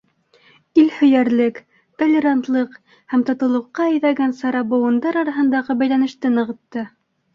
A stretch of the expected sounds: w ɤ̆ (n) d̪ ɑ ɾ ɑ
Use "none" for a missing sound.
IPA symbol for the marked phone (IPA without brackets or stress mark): n